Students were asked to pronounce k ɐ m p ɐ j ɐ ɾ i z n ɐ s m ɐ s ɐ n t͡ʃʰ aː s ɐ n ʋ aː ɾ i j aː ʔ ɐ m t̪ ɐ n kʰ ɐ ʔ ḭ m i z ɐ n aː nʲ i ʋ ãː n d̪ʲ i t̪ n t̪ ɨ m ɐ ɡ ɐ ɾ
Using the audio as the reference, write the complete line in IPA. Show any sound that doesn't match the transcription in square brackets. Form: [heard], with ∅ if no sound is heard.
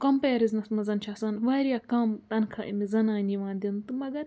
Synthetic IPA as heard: k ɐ m p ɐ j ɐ ɾ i z n ɐ s m ɐ [z] ɐ n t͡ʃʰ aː s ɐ n ʋ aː ɾ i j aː [k] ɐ m t̪ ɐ n kʰ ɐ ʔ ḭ m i z ɐ n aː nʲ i ʋ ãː n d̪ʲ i [∅] n t̪ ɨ m ɐ ɡ ɐ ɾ